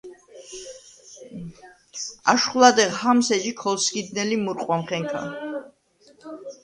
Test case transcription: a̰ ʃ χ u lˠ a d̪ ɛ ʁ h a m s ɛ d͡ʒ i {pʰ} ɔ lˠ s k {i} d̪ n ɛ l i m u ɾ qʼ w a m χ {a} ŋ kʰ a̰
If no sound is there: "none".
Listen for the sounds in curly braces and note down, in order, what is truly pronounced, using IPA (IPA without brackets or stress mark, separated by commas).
kʰ, i, ɛ